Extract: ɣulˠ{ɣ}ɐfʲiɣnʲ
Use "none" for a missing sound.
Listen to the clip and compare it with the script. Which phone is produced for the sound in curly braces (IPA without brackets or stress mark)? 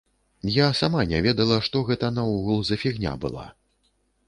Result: z